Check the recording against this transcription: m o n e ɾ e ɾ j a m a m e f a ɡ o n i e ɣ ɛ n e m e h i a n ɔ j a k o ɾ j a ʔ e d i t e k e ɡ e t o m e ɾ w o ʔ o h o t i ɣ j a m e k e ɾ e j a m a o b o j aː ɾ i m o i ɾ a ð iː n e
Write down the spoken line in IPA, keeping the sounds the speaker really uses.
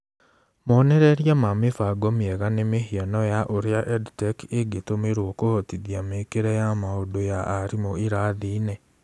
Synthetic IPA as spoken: m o n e ɾ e ɾ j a m a m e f a ɡ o m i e ɣ a n e m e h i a n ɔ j a ʔ o ɾ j a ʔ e d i t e k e ɡ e t o m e ɾ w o k o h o t i ð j a m e k e ɾ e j a m a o d o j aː ɾ i m o i ɾ a ð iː n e